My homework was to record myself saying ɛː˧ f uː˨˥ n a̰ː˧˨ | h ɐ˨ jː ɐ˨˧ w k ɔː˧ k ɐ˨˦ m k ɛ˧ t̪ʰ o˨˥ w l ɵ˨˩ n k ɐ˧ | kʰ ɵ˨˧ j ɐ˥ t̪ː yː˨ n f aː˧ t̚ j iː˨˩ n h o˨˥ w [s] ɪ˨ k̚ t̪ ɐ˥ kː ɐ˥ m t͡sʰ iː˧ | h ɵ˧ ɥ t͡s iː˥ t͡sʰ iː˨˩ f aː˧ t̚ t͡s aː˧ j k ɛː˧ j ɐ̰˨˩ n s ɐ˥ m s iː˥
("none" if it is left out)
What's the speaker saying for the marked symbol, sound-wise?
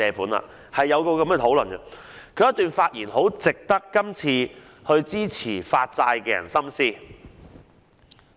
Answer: t͡s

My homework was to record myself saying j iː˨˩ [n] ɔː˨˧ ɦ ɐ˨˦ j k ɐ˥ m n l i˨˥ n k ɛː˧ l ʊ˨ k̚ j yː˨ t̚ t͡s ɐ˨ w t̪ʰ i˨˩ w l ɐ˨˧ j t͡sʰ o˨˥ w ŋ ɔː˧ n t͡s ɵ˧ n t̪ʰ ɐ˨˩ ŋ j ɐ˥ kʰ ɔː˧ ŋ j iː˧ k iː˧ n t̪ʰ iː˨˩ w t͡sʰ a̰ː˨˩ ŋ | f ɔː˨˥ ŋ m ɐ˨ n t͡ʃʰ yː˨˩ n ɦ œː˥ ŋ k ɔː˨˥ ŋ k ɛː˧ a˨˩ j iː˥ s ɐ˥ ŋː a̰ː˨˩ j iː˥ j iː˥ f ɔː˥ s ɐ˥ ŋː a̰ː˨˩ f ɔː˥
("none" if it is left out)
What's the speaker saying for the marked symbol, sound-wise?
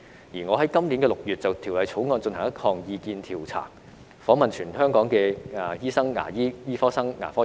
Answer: ŋ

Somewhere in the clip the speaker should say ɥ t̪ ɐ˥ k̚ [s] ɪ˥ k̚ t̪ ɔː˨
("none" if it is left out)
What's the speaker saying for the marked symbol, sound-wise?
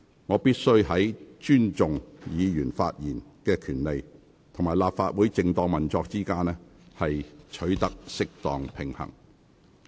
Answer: s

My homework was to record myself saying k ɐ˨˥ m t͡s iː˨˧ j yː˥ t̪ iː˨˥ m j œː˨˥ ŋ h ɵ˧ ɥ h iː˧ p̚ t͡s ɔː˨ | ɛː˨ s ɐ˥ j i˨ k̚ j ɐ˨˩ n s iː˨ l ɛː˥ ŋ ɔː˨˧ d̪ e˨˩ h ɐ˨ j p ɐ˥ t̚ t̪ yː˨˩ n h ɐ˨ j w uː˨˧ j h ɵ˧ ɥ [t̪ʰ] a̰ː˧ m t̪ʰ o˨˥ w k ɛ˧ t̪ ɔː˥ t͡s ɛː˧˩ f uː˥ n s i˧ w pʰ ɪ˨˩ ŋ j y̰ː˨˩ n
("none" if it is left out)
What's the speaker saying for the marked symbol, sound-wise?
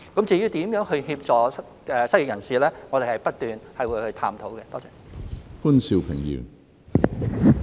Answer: t̪ʰ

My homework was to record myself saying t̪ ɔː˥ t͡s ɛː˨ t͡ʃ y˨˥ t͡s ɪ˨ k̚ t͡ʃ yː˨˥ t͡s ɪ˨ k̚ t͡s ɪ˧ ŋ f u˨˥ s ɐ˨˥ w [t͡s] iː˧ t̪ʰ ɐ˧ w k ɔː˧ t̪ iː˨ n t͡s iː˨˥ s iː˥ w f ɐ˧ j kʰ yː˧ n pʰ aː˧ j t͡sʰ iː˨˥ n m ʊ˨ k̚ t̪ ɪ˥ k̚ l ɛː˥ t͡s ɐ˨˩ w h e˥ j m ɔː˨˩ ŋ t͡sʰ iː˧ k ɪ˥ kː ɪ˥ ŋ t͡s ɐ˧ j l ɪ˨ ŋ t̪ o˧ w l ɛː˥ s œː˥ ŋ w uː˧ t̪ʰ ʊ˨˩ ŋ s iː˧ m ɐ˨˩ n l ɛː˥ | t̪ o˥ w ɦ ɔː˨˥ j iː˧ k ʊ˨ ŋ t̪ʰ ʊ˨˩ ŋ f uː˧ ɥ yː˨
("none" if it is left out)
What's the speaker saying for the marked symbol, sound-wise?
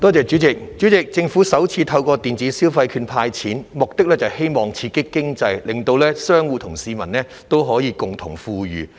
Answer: t͡sʰ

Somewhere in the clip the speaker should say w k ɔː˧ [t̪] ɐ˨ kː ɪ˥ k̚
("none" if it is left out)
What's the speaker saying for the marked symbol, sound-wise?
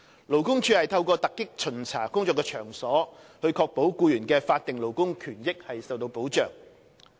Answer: t̪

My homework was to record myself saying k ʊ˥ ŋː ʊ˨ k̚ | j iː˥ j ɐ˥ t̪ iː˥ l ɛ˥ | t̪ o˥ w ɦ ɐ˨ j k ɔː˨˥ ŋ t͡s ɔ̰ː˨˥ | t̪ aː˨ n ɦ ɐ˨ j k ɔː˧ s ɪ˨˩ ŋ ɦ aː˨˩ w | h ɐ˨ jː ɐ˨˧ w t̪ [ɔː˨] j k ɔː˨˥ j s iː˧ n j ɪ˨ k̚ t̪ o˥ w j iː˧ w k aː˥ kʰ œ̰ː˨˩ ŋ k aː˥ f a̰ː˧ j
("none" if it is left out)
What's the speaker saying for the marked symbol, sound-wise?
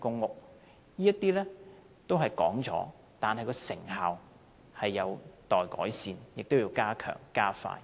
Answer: ɔː˨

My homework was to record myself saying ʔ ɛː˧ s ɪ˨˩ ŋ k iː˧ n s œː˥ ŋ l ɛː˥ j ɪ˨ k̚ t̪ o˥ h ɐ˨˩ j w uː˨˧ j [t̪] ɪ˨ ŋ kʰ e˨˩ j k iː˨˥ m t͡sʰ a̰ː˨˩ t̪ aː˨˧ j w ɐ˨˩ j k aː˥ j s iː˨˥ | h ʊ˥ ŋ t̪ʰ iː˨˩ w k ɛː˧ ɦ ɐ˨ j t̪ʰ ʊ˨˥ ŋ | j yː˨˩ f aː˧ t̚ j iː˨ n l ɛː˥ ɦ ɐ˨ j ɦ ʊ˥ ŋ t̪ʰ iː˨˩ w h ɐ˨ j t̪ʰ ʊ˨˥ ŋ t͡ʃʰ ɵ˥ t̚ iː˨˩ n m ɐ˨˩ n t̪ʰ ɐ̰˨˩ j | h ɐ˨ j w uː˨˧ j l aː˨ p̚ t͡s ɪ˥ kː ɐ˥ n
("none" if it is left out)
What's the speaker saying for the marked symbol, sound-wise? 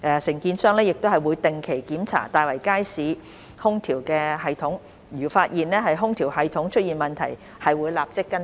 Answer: t̪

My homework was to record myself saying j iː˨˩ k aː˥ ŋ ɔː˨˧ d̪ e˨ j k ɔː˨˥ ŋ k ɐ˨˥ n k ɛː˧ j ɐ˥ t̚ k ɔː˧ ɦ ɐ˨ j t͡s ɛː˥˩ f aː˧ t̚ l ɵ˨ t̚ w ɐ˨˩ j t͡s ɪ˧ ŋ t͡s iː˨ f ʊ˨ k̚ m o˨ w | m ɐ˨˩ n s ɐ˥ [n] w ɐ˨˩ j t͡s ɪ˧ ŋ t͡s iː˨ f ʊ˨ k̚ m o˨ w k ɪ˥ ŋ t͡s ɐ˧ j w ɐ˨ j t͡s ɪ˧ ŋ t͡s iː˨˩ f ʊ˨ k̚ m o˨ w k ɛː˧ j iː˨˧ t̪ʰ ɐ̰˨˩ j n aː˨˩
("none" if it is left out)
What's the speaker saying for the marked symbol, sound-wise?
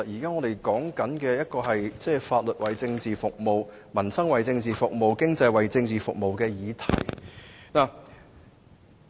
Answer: ŋ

